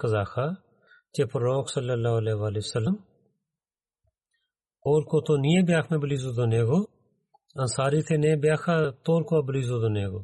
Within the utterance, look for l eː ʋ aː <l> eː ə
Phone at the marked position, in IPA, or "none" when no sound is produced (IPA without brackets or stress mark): l